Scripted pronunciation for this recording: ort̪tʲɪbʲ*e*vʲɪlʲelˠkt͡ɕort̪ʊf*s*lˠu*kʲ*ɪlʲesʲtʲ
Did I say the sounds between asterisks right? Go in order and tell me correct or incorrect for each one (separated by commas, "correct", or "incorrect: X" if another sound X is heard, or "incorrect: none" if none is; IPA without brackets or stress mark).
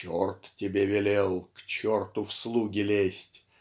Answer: correct, correct, incorrect: ɡʲ